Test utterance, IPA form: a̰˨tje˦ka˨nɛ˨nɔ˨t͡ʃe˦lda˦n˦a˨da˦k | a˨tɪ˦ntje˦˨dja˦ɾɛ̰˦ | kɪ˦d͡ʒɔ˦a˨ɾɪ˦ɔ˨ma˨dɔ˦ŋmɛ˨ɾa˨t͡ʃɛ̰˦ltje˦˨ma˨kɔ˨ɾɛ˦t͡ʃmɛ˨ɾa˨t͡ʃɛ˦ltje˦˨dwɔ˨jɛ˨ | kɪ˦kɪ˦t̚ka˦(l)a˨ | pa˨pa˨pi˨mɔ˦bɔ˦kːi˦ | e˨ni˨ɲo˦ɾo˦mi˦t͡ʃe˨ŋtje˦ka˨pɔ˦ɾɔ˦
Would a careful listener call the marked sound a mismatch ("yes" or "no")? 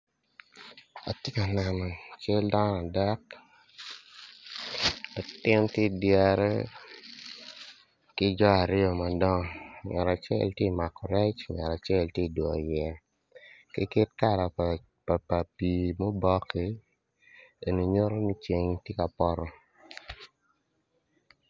yes